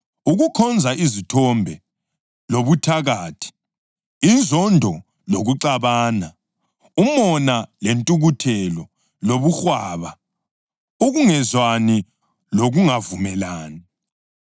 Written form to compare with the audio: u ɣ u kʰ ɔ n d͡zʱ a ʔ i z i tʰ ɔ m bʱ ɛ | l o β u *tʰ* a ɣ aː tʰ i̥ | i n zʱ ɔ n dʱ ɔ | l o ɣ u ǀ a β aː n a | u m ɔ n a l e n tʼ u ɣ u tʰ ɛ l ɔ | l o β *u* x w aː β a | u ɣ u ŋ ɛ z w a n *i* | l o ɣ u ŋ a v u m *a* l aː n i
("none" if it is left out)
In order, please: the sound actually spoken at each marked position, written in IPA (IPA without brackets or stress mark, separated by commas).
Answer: tʰ, u, i, ɛ